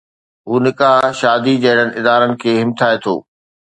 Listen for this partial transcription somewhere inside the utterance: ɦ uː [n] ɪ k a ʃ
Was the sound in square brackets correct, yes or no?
yes